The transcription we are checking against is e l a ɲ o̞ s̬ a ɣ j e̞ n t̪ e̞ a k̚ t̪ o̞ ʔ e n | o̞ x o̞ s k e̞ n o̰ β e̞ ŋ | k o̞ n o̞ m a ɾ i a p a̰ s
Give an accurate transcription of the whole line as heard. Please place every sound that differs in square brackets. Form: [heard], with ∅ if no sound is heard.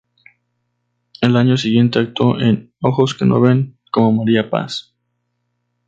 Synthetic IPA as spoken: e l a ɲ o̞ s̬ [i] ɣ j e̞ n t̪ e̞ a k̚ t̪ o̞ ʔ e n | o̞ x o̞ s k e̞ n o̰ β e̞ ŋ | k o̞ [m] o̞ m a ɾ i a p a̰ s